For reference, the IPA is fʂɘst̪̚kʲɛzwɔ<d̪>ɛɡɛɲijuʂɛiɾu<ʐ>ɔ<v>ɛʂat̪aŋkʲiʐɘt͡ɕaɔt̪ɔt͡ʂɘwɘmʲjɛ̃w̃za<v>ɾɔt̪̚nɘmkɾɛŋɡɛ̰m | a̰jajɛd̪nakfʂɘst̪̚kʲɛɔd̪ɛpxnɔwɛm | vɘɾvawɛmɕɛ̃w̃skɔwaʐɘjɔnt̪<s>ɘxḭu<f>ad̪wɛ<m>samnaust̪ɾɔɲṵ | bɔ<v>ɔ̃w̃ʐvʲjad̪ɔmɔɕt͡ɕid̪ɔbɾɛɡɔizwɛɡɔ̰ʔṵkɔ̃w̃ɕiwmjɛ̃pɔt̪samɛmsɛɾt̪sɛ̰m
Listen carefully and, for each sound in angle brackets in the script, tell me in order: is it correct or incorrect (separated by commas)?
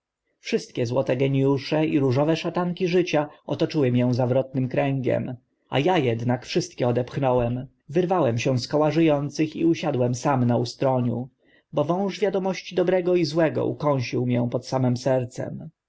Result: incorrect, correct, correct, correct, correct, incorrect, correct, correct